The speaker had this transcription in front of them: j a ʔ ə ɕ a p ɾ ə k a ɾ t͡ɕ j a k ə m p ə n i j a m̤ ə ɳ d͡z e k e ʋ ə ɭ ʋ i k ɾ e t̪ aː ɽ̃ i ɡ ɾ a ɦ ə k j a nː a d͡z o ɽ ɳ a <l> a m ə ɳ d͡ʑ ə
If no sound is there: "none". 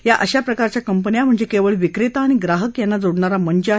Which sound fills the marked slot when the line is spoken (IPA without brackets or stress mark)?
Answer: ɾ